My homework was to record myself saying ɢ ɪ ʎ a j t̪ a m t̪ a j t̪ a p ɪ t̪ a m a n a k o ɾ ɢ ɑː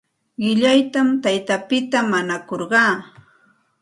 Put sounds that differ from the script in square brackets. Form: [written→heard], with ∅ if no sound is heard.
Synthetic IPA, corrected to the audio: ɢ ɪ ʎ a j t̪ a m t̪ a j t̪ a p ɪ t̪ a m a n a k o ɾ ɢ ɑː